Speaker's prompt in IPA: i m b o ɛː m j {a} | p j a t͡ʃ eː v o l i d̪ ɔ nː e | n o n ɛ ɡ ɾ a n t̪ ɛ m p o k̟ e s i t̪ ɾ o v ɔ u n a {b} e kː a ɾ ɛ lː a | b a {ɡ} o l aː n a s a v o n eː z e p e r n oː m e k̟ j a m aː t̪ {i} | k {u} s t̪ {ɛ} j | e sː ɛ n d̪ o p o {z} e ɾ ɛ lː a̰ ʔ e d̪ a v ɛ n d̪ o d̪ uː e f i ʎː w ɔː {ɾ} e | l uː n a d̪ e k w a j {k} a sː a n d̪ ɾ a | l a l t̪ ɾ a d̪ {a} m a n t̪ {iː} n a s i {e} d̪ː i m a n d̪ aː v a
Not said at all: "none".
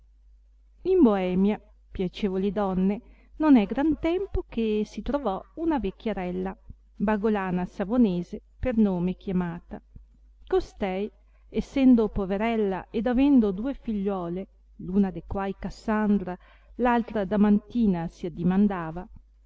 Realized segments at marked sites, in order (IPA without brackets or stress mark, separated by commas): a, v, ɡ, a, o, ɛ, v, l, k, a, iː, a